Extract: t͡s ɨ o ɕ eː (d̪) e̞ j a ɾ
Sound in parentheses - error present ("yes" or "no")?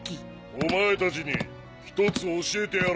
yes